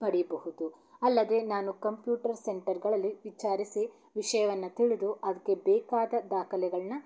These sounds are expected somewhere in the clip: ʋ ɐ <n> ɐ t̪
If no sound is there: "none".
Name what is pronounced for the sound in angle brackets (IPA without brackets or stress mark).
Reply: nː